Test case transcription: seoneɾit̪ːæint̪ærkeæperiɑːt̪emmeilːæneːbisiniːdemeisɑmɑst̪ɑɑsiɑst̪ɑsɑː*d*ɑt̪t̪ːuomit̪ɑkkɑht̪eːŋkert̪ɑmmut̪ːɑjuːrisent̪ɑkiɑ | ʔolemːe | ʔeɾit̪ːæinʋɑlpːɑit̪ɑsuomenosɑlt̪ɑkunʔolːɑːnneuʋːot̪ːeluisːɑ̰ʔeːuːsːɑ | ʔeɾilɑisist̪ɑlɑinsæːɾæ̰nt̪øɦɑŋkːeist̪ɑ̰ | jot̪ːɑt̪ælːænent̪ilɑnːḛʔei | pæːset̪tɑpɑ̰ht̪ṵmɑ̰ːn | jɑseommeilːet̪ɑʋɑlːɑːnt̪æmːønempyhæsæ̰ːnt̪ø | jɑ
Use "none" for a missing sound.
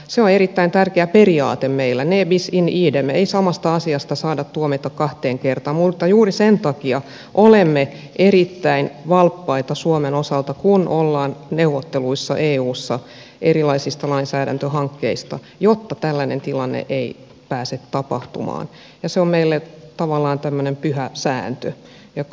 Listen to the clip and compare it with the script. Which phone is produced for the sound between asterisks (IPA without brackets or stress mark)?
d